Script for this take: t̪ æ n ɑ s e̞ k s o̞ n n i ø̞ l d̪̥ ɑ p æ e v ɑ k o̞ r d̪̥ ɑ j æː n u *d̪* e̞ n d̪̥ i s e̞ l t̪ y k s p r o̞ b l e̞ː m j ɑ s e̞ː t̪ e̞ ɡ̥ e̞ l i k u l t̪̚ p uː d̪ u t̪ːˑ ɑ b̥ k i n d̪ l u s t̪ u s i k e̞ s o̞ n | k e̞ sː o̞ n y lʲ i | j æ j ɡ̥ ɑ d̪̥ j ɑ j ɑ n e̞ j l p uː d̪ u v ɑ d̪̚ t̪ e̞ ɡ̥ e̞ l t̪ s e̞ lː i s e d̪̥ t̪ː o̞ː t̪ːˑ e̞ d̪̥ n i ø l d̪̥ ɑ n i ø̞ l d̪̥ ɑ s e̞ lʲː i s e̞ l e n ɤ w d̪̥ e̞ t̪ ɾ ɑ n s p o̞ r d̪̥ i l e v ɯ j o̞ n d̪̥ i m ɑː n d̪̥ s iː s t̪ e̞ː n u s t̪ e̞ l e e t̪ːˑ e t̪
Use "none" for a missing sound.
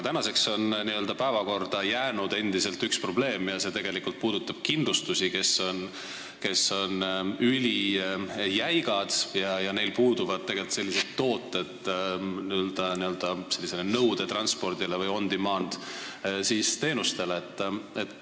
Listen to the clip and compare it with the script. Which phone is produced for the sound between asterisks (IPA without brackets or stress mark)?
d̪